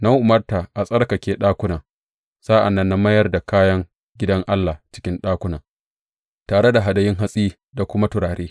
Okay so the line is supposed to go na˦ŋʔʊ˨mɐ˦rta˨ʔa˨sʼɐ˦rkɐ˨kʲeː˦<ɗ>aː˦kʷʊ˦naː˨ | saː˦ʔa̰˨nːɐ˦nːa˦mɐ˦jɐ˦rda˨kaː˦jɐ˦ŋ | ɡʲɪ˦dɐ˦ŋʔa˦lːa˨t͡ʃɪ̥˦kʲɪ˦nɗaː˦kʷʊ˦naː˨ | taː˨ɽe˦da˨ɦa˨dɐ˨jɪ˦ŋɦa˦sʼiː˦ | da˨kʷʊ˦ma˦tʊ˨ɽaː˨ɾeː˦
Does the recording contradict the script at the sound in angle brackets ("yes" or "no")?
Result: no